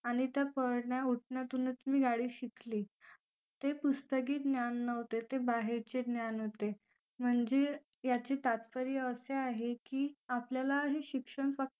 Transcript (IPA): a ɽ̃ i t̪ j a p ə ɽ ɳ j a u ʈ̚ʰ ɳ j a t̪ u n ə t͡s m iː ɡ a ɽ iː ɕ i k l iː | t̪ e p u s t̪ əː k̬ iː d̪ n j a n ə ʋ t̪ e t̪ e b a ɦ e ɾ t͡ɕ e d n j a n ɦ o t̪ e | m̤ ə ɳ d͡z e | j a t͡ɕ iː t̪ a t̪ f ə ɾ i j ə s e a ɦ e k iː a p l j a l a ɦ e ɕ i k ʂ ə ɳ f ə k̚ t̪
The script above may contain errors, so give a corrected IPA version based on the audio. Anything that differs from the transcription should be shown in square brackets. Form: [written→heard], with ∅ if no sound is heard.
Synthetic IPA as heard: a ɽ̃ i t̪ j a p ə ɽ ɳ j a u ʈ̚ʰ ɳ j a t̪ u n ə t͡s m iː ɡ a ɽ iː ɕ i k l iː | t̪ e p u s t̪ [əː→ə] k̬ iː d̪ n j a [n→nː] ə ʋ t̪ e t̪ e b a ɦ e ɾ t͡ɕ e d n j a n ɦ o t̪ e | m̤ ə ɳ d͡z e | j a t͡ɕ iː t̪ a t̪ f ə ɾ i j ə s e a ɦ e k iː a p l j a l a ɦ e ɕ i k ʂ ə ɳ f ə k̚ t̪